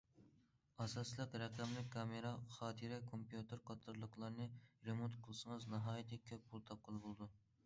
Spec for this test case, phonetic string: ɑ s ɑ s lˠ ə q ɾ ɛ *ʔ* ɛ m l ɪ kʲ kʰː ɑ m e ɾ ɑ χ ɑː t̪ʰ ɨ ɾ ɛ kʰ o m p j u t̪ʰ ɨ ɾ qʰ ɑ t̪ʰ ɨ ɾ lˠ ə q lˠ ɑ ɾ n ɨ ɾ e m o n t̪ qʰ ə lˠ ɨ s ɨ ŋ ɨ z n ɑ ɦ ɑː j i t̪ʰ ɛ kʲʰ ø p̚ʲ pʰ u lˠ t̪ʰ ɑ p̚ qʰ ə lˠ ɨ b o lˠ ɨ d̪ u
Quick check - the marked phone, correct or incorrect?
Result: incorrect